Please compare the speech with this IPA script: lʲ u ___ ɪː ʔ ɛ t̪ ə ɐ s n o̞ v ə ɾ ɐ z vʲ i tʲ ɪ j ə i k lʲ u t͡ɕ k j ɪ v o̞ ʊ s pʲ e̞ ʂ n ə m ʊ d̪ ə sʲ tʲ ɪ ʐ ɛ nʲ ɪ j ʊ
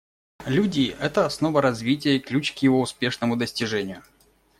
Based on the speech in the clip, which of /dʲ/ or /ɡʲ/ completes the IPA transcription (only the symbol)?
dʲ